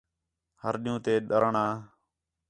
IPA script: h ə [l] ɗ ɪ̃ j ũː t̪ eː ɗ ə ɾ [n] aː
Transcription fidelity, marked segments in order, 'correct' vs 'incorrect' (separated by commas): incorrect, incorrect